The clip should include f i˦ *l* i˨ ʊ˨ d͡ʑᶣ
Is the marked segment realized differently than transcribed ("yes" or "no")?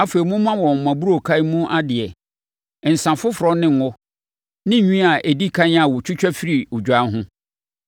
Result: yes